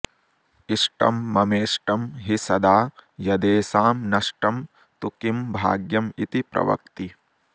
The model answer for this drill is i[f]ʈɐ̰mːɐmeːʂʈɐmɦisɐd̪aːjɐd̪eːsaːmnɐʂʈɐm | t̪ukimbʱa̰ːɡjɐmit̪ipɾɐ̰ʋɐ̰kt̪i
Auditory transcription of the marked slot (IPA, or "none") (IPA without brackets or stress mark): ʂ